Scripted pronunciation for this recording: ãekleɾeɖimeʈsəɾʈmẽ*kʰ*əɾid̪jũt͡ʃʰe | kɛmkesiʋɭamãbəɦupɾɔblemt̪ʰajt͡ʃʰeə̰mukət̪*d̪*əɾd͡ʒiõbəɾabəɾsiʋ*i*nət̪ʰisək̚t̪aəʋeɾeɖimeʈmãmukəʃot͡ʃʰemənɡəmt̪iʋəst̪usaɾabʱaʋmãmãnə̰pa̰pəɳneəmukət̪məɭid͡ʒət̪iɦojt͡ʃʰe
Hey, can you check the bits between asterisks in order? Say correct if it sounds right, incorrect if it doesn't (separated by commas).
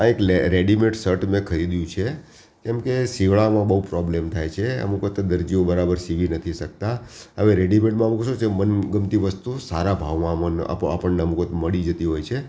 correct, correct, correct